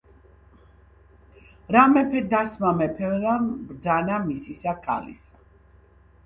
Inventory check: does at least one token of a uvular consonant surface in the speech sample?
no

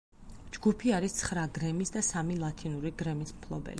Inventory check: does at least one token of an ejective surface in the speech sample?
no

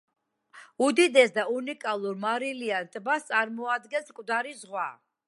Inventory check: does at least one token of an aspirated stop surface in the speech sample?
no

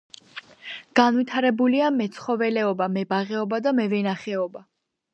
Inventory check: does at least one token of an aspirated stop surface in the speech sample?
yes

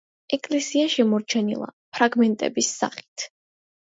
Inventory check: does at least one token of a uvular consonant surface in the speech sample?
yes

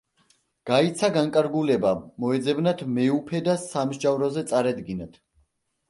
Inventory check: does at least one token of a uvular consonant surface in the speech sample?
no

